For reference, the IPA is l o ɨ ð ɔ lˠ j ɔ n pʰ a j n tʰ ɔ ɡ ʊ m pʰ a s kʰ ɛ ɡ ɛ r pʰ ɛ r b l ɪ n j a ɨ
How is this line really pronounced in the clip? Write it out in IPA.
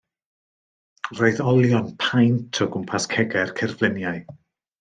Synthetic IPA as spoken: r o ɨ ð ɔ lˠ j ɔ n pʰ a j n tʰ ɔ ɡ ʊ m pʰ a s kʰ ɛ ɡ ɛ r kʰ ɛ r v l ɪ n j a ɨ